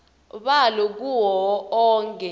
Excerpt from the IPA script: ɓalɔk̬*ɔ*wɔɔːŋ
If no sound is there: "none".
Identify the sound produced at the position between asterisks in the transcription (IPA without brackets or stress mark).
u